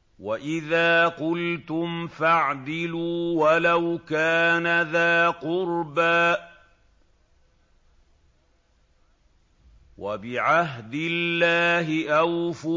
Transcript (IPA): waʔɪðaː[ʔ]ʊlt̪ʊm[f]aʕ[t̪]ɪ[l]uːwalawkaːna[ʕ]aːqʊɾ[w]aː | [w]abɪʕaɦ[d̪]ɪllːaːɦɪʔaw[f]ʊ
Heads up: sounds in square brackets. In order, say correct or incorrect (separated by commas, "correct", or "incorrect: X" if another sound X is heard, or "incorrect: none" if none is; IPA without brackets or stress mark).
incorrect: q, correct, incorrect: d̪, correct, incorrect: ð, incorrect: b, correct, correct, correct